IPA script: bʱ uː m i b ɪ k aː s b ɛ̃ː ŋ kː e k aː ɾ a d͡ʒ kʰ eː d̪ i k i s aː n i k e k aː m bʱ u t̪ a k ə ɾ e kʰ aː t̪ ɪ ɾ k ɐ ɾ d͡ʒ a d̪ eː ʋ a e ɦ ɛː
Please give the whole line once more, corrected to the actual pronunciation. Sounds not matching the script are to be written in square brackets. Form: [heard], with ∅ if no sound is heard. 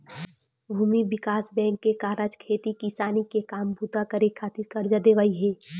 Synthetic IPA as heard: bʱ uː m i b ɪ k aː s b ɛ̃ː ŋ kː e k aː ɾ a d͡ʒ kʰ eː [t̪] i k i s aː n i k e k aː m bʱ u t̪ a k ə ɾ e kʰ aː t̪ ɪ ɾ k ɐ ɾ d͡ʒ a d̪ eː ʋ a [i] ɦ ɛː